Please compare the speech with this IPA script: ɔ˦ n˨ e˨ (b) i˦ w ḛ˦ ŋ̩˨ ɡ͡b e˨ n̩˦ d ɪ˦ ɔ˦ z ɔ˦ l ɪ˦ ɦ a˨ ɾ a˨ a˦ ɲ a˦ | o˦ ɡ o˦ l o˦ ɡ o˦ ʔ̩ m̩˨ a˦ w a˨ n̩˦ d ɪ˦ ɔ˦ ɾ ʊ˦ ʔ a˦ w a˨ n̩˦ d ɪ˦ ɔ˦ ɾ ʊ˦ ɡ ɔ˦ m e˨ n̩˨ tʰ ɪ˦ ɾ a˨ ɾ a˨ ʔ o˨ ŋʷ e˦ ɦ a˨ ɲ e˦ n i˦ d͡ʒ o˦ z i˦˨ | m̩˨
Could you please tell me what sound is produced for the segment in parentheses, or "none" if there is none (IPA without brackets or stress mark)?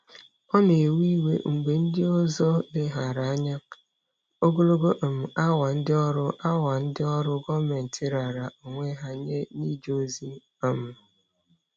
w